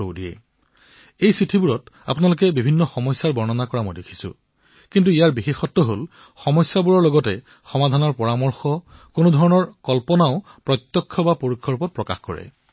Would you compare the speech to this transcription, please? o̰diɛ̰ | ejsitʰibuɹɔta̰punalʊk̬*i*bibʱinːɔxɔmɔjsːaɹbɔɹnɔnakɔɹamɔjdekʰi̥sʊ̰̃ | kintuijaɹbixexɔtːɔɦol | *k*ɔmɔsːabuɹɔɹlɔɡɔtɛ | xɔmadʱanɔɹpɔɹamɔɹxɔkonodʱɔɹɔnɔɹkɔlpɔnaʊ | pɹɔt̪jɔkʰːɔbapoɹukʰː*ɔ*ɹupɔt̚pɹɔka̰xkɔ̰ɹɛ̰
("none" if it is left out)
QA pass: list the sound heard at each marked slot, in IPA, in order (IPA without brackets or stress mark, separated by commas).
ɛ, x, ɔ